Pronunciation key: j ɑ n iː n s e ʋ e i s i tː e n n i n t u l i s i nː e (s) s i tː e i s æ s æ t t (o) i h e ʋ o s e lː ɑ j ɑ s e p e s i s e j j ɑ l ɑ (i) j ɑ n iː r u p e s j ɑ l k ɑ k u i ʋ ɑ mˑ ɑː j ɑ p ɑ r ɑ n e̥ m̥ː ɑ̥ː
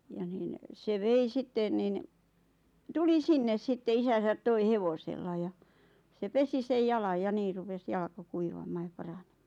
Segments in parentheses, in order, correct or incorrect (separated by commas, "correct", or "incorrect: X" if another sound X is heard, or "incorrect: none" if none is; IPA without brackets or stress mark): correct, correct, incorrect: j